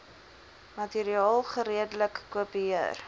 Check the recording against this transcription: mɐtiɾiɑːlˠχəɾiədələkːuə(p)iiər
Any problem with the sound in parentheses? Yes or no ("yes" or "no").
no